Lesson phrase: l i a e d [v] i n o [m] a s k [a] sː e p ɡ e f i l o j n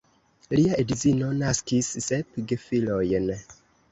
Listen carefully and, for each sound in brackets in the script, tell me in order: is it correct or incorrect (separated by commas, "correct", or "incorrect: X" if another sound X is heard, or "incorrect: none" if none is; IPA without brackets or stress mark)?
incorrect: z, incorrect: n, incorrect: i